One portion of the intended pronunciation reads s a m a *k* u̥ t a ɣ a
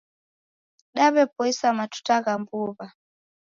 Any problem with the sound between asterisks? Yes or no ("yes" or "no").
yes